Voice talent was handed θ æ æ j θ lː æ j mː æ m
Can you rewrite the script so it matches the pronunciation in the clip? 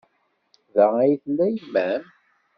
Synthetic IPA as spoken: ð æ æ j θ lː æ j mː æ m